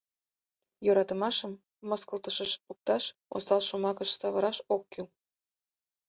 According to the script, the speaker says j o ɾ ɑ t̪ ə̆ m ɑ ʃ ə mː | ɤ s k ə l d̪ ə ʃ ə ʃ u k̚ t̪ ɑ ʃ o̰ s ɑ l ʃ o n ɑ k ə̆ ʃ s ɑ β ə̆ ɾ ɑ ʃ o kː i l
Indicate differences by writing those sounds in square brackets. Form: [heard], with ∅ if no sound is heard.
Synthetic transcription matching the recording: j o ɾ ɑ t̪ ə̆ m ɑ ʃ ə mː | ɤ s k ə l [t̪] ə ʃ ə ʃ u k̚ t̪ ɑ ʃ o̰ s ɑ l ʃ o [m] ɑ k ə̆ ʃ s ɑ β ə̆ ɾ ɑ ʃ o kː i l

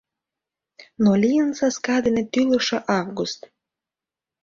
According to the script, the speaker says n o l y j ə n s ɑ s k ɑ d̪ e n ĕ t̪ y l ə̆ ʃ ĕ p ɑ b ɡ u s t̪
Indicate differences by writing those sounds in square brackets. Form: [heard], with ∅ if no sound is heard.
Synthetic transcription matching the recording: n o l [i] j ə n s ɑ s k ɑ d̪ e n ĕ t̪ y l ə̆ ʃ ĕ [ʔ] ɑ [v] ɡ u s t̪

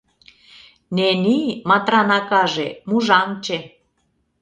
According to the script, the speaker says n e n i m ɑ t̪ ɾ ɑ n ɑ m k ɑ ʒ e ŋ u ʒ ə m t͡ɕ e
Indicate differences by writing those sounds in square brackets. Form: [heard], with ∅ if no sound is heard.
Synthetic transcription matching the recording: n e n i m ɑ t̪ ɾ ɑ n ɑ [∅] k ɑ ʒ e [m] u ʒ [ɑ] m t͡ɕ e

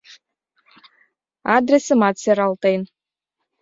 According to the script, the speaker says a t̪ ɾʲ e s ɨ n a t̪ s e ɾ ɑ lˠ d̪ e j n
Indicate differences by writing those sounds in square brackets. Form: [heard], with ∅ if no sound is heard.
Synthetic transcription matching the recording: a [d̪] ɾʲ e s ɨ [m] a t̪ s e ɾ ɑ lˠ [t̪] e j n

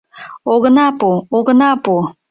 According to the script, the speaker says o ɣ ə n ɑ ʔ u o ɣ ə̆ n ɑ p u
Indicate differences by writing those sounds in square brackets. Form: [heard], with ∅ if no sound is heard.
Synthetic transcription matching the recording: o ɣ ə n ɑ [p] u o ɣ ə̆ n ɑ p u

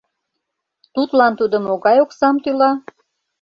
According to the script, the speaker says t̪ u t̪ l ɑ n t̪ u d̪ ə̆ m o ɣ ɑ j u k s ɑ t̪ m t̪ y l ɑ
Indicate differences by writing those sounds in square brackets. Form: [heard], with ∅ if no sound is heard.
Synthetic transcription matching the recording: t̪ u t̪ l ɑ n t̪ u d̪ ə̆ m o ɣ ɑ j [o] k s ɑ [∅] m t̪ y l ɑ

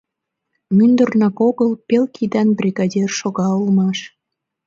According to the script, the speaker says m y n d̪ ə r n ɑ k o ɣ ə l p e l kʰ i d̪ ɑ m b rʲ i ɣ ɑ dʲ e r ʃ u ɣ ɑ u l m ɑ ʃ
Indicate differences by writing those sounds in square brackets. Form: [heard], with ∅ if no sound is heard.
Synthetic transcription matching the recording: m y n d̪ ə r n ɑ k o ɣ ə l p e l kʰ i d̪ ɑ [n] b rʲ i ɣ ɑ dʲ e r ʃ [o] ɣ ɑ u l m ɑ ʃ

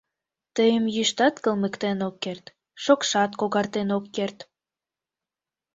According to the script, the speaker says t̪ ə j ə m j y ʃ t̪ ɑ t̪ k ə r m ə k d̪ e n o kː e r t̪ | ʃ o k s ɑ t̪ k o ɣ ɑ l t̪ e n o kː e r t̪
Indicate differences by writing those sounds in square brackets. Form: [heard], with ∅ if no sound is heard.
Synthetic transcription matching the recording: t̪ ə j ə m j y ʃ t̪ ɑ t̪ k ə [l] m ə k [t̪] e n o kː e r t̪ | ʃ o k [ʃ] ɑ t̪ k o ɣ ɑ [r] t̪ e n o kː e r t̪

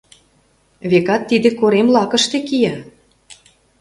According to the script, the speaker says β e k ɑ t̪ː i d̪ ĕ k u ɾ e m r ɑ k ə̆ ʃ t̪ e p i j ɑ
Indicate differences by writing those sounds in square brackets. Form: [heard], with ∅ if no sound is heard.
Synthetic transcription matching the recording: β e k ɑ t̪ː i d̪ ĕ k [o] ɾ e m [l] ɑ k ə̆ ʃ t̪ e [k] i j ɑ

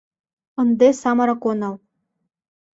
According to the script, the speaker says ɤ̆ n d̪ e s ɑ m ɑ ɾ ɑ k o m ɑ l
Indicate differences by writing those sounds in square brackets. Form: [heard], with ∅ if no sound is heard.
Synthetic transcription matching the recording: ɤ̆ n d̪ e s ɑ m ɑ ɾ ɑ k o [n] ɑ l

